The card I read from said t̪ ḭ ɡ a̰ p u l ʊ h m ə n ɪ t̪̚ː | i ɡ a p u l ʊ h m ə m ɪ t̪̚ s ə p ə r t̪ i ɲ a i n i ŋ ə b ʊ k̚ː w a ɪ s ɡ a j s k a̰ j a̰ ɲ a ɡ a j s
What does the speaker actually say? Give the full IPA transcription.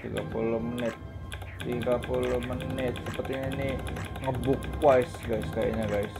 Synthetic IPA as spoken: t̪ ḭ ɡ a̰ p u l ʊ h m ə n ɪ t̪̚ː | i ɡ a p u l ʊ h m ə n ɪ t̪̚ s ə p ə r t̪ i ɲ a i n i ŋ ə b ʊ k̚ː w a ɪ s ɡ a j s k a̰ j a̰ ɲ a ɡ a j s